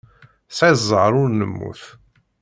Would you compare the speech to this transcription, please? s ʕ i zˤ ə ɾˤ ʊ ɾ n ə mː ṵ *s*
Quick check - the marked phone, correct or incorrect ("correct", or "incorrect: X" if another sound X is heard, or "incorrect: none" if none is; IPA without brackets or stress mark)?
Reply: incorrect: θ